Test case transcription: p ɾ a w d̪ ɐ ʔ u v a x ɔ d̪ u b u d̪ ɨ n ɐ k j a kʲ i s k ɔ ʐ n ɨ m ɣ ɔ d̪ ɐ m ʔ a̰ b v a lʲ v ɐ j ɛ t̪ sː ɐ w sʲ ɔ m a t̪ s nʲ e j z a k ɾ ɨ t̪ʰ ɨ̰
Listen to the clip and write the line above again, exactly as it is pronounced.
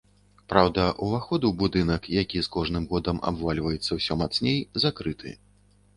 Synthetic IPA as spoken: p ɾ a w d̪ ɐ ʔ u v a x ɔ d̪ u b u d̪ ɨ n ɐ k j a kʲ i s k ɔ ʐ n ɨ m ɣ ɔ d̪ ɐ m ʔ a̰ b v a lʲ v ɐ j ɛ t̪ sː ɐ w sʲ ɔ m a t̪ s nʲ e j z a k ɾ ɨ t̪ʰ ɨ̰